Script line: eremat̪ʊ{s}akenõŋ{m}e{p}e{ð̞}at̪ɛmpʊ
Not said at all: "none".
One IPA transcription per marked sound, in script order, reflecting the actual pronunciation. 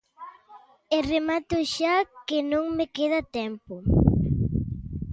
ʃ, m, k, ð̞

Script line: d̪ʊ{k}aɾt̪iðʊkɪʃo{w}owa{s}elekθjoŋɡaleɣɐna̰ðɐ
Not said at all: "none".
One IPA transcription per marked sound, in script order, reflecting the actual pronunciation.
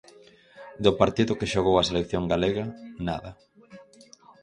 p, ɣ, s

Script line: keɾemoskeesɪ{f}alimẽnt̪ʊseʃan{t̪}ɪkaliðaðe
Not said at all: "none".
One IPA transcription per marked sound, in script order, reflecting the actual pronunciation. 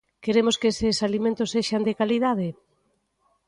s, d̪

